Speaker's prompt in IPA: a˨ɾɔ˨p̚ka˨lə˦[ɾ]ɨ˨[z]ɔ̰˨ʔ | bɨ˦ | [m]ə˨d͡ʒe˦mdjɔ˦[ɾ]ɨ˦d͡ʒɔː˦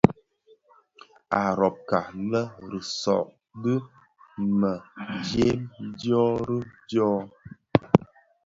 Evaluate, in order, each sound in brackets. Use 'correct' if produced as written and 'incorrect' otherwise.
correct, incorrect, correct, correct

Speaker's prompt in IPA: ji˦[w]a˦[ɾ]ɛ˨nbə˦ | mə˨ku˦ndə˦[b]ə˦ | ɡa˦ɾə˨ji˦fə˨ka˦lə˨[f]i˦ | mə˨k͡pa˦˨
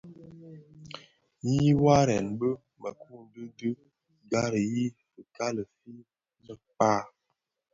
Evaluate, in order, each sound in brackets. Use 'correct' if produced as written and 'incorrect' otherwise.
correct, correct, incorrect, correct

